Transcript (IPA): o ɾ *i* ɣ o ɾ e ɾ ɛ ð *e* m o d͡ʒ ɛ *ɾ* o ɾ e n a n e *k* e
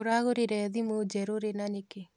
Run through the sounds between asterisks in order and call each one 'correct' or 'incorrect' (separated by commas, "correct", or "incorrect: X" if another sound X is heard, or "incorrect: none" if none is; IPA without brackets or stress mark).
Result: incorrect: a, incorrect: i, correct, correct